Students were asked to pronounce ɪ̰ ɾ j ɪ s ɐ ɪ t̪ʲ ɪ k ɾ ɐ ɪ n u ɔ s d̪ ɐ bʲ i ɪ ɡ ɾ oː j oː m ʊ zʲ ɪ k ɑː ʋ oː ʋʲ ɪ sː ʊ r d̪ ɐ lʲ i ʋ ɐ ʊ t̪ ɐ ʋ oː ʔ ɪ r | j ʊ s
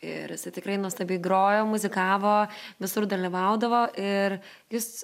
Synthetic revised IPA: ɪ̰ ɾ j ɪ s ɐ ɪ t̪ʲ ɪ k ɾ ɐ ɪ n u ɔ s t̪ ɐ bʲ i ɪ ɡ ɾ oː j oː m ʊ zʲ ɪ k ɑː ʋ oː ʋʲ ɪ s ʊ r d̪ ɐ lʲ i ʋ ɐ ʊ d̪ ɐ ʋ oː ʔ ɪ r | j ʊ s